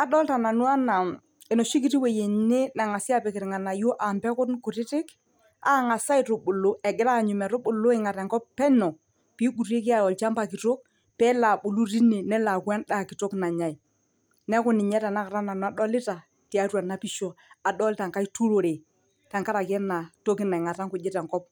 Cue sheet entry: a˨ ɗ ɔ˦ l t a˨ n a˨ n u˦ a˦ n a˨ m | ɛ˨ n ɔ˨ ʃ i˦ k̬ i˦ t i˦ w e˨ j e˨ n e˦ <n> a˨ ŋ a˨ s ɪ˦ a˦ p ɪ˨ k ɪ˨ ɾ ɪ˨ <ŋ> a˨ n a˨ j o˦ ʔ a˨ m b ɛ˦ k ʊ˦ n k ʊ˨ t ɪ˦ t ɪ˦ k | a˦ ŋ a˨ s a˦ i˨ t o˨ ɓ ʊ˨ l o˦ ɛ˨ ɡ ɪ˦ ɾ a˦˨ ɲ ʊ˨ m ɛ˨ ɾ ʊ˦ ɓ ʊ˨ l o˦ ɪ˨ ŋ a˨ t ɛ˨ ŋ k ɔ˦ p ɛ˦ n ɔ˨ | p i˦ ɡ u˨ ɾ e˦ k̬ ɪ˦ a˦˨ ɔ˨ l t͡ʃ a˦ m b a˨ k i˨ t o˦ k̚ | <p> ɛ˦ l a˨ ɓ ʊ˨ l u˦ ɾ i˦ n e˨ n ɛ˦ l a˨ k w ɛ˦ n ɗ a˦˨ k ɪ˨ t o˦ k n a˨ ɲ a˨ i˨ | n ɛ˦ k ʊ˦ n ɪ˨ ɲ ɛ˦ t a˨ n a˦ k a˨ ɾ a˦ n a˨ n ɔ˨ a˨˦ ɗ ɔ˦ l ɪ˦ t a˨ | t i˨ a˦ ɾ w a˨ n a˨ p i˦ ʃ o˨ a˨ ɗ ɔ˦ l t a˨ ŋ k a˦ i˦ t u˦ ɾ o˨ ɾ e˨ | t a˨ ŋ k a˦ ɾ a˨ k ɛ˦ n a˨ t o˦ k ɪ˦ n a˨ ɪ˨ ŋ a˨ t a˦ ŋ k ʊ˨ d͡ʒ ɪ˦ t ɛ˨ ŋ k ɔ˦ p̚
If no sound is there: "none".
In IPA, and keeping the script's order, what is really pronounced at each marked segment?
n, ŋ, p

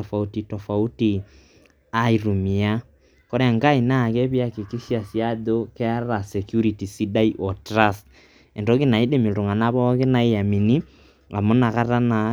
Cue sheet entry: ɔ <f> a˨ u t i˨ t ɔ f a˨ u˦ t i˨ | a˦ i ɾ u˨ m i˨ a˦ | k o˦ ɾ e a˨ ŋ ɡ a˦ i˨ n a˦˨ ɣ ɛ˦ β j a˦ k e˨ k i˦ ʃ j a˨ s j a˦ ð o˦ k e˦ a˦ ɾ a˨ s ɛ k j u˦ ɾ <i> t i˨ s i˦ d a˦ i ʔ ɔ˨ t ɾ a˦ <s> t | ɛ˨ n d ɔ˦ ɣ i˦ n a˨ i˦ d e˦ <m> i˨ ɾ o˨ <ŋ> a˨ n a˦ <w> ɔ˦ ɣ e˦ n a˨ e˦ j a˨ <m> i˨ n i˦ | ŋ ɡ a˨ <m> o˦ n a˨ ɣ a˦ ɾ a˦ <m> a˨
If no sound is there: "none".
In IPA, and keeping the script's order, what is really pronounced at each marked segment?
f, i, s, m, ŋ, β, m, m, n

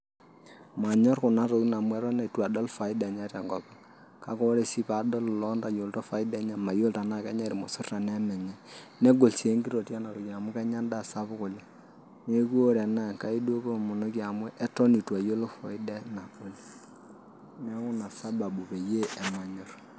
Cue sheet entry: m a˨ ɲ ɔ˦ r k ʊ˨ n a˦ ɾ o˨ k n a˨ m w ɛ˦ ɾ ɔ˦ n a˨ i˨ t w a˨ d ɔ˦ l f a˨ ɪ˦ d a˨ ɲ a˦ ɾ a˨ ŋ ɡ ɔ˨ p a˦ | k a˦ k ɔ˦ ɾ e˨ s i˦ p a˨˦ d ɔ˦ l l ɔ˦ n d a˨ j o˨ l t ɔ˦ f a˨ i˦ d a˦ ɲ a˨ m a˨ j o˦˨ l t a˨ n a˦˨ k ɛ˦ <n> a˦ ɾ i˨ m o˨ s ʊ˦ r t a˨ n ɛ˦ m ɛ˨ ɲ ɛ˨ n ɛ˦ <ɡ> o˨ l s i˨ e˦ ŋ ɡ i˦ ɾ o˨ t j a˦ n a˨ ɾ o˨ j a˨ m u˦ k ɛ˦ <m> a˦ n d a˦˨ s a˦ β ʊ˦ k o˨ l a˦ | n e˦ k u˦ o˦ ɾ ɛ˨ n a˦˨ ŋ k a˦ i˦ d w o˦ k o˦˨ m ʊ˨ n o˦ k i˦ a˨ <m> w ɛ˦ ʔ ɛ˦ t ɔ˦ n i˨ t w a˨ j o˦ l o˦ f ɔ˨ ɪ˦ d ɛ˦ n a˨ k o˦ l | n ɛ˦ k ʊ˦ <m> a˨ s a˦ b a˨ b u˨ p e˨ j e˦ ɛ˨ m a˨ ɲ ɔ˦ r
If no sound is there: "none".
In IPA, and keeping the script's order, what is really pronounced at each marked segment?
ɲ, ɡ, ɲ, m, n

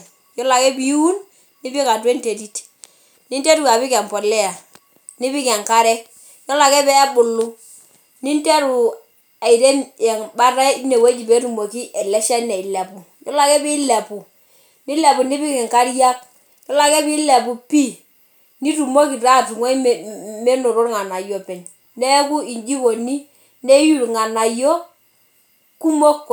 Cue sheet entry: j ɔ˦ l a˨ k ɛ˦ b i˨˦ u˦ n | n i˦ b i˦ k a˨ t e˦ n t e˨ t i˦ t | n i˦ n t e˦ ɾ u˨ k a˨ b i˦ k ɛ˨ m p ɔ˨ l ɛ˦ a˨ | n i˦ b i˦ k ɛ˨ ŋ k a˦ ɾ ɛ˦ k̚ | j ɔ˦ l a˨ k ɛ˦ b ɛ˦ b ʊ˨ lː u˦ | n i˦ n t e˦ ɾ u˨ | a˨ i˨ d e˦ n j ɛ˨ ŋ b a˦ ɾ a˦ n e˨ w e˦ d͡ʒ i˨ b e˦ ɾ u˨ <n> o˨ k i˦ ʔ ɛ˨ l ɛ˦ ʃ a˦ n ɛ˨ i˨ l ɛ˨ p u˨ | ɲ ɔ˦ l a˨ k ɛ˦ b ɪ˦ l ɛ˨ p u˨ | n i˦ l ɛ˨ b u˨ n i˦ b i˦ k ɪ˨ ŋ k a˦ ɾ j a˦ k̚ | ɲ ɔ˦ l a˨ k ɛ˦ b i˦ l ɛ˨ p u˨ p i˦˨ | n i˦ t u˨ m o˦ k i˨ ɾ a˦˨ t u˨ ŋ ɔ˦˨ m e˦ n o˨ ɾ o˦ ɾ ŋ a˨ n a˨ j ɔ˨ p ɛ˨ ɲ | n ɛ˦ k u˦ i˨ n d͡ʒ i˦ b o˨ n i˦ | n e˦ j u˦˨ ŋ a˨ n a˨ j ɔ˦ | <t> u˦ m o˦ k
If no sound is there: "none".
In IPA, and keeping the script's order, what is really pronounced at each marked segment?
m, k

